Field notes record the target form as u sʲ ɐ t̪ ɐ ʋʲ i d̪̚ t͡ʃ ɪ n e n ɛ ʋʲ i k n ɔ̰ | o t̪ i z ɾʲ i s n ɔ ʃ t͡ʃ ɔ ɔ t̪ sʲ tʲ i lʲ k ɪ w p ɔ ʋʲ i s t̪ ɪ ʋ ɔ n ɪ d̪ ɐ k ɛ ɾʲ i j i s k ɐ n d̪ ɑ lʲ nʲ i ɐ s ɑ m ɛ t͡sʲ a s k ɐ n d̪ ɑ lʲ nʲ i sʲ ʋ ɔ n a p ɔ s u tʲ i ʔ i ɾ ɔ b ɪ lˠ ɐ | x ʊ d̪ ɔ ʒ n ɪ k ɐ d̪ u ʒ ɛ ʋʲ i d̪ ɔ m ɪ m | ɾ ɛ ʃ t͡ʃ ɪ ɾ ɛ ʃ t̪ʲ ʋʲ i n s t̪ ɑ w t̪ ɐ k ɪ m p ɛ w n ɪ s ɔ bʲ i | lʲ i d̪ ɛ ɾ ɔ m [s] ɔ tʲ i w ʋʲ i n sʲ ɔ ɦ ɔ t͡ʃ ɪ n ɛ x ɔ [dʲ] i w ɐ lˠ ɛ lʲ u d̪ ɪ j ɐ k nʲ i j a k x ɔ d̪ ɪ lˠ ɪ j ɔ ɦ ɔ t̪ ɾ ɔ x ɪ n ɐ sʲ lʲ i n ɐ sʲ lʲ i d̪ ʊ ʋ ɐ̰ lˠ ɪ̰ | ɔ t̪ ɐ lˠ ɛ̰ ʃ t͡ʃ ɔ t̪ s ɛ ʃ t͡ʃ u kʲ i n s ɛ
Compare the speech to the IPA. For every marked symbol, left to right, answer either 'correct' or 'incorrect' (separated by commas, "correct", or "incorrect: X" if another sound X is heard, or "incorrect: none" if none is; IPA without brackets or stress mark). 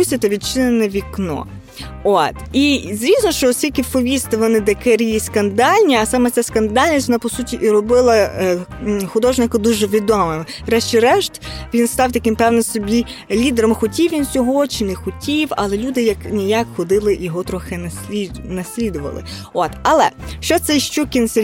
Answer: incorrect: x, incorrect: tʲ